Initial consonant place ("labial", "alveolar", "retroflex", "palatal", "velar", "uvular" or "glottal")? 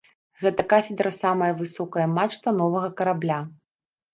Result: velar